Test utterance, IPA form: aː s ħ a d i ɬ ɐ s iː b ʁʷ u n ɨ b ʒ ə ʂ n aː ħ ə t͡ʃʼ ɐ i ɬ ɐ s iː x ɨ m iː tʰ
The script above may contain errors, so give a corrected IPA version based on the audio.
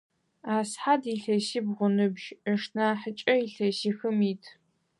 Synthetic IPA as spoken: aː s ħ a d i ɬ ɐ s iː b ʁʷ ʊ n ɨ b ʒ ə ʂ n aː ħ ə t͡ʃʼ ɐ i ɬ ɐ s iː x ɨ m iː tʰ